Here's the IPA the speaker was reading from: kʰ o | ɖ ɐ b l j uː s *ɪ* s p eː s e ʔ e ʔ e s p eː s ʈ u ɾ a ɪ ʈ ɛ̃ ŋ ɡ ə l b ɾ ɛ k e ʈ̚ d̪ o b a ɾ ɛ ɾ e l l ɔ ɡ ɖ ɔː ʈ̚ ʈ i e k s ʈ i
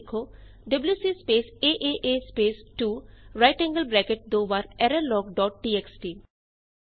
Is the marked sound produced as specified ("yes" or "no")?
no